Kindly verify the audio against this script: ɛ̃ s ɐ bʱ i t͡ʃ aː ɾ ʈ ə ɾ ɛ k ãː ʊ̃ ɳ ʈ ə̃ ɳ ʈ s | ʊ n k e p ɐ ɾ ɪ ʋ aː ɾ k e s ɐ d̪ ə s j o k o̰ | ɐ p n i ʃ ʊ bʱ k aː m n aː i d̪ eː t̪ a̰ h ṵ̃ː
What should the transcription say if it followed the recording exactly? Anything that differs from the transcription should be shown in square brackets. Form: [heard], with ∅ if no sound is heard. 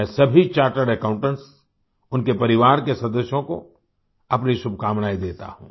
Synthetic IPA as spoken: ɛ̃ s ɐ bʱ i t͡ʃ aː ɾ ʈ ə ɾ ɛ k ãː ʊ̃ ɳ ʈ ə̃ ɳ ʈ s | ʊ n k e p ɐ ɾ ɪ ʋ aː ɾ k e s ɐ d̪ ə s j [õ] k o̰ | ɐ p n i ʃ ʊ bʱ k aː m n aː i d̪ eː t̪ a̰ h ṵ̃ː